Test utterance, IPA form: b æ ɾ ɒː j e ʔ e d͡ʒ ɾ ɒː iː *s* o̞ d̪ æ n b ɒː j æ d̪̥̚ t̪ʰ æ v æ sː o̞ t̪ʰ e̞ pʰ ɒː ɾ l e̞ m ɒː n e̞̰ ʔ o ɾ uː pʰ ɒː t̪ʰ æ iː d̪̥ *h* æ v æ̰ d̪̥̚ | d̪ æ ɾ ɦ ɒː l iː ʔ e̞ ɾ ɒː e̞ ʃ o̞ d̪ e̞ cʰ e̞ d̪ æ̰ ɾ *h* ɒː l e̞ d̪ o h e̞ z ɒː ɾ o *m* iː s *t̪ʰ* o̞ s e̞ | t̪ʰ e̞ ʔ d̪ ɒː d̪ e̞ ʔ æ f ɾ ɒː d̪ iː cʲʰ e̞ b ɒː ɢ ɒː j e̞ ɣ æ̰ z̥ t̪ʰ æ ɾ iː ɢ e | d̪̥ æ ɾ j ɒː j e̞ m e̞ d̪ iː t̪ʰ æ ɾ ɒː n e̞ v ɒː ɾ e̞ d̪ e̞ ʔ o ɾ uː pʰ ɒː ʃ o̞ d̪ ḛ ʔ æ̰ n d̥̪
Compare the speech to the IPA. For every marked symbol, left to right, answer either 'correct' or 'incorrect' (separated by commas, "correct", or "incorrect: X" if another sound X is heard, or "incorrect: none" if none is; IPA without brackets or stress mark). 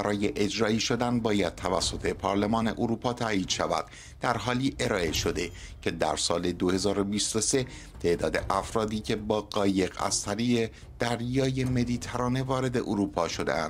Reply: incorrect: ʃ, incorrect: ʃ, incorrect: s, incorrect: b, incorrect: t̪